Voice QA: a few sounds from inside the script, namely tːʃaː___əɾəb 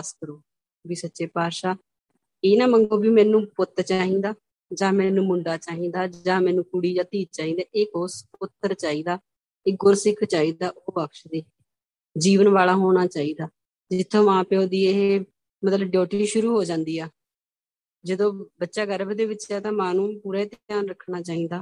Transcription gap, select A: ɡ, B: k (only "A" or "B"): A